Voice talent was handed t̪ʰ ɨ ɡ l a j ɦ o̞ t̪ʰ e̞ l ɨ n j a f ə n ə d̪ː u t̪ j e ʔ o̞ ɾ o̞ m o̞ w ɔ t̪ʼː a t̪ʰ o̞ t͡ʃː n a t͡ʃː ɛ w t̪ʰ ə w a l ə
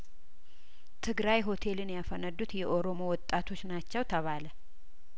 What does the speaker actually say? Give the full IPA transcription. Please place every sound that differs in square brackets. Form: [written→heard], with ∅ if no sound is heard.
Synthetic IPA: t̪ʰ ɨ ɡ [l→ɾ] a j ɦ o̞ t̪ʰ e̞ l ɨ n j a f ə n ə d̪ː u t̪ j [e→ɛ] ʔ o̞ ɾ o̞ m o̞ w ɔ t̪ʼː a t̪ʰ o̞ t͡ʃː n a t͡ʃː ɛ w t̪ʰ ə [w→β] a l ə